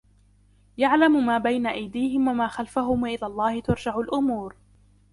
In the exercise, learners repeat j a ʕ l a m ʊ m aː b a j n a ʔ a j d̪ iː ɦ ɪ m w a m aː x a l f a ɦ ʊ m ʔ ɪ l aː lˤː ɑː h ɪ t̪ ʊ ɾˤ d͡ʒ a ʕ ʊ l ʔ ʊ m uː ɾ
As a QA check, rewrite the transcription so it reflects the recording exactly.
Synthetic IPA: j a ʕ l a m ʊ m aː b a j n a ʔ a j d̪ iː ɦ ɪ m w a m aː x a l f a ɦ ʊ m ʔ ɪ l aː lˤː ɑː h ɪ t̪ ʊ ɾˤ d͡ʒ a ʕ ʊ l ʔ ʊ m uː ɾ